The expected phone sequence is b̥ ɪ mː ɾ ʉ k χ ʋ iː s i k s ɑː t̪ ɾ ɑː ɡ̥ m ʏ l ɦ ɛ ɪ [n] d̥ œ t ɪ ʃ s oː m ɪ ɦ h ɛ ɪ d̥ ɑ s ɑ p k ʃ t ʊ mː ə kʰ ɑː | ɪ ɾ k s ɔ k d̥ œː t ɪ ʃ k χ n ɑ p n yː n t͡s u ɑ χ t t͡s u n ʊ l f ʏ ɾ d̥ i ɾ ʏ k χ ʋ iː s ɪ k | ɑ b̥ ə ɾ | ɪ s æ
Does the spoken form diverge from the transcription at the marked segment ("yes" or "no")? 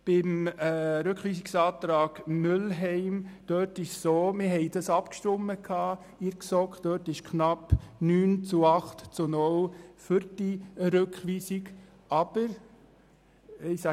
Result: yes